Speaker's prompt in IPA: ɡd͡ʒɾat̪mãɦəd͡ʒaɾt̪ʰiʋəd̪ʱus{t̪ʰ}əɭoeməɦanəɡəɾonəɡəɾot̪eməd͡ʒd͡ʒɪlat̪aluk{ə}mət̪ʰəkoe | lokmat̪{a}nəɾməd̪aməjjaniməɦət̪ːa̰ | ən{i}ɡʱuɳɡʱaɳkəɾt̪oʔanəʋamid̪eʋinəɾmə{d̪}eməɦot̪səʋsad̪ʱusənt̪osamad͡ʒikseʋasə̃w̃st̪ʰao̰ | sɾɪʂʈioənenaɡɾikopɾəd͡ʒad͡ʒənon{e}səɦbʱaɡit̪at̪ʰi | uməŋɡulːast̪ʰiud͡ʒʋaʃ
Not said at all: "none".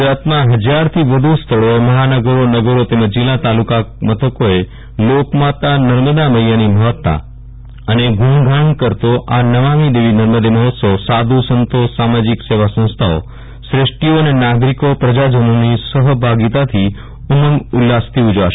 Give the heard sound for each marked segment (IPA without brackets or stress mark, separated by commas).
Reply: t̪ʰ, a, a, e, d̪, i